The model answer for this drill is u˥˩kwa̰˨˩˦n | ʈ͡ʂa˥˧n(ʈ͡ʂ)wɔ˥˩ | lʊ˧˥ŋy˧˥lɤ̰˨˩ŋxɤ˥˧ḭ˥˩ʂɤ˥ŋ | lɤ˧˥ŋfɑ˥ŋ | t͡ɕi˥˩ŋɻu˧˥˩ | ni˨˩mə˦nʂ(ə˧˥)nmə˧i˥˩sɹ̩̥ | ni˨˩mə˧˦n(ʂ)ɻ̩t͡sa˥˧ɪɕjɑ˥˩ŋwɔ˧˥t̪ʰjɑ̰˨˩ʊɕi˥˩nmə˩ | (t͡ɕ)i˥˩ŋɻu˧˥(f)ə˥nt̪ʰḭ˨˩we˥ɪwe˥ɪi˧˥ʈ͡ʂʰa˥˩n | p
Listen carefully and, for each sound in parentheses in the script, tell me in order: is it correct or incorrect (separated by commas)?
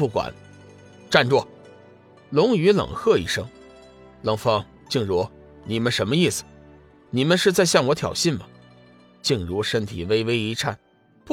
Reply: correct, correct, correct, correct, incorrect